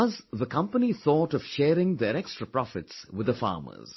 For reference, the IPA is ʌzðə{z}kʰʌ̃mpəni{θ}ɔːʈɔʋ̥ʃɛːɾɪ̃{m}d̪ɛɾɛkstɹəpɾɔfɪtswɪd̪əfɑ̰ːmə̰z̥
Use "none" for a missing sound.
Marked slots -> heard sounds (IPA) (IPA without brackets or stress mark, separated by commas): none, θ, ŋ